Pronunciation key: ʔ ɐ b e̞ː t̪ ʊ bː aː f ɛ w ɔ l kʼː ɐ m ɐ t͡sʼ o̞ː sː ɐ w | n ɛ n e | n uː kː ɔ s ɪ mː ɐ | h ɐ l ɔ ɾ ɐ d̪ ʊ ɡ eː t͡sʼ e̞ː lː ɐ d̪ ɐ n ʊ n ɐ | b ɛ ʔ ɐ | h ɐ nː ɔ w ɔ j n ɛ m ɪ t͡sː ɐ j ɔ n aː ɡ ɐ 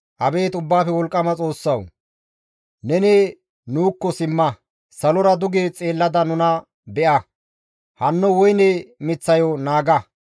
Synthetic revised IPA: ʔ ɐ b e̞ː t̪ ʊ bː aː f ɛ w ɔ l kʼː ɐ m ɐ t͡sʼ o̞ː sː ɐ w | n ɛ n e | n uː kː ɔ s ɪ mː ɐ | s ɐ l ɔ ɾ ɐ d̪ ʊ ɡ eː t͡sʼ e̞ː lː ɐ d̪ ɐ n ʊ n ɐ | b ɛ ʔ ɐ | h ɐ nː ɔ w ɔ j n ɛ m ɪ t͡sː ɐ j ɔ n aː ɡ ɐ